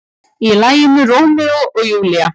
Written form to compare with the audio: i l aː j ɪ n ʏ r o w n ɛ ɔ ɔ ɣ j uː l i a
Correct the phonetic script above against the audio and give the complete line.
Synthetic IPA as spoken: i l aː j ɪ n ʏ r o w m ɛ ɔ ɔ ɣ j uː l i a